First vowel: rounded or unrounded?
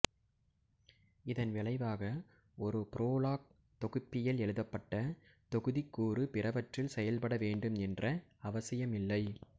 unrounded